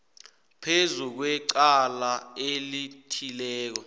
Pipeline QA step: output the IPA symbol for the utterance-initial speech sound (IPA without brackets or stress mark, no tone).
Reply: pʰ